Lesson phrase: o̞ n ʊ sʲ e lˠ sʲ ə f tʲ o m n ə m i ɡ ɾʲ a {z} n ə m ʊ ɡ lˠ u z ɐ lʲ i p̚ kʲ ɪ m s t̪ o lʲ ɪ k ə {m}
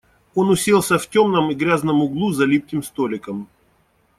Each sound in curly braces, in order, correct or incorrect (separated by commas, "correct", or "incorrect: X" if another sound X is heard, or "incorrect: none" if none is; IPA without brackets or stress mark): correct, correct